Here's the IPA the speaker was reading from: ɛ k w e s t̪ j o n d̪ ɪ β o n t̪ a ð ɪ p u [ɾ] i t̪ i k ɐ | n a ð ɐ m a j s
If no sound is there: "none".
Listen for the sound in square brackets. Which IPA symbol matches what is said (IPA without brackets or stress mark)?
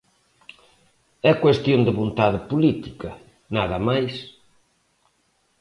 l